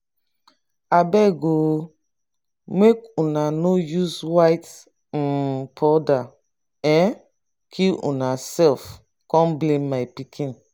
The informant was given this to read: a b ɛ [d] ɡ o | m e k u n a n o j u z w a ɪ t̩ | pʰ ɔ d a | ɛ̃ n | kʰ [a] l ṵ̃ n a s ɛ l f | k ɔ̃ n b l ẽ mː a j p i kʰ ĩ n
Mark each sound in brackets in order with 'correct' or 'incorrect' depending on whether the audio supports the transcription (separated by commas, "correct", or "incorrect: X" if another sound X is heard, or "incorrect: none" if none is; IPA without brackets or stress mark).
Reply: incorrect: none, incorrect: i